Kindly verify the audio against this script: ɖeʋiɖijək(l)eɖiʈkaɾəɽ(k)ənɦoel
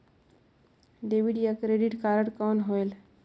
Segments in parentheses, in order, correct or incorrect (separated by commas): incorrect, correct